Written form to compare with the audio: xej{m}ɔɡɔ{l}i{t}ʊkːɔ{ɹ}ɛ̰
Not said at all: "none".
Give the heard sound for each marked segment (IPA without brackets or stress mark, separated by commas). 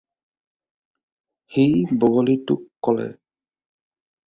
b, l, t, l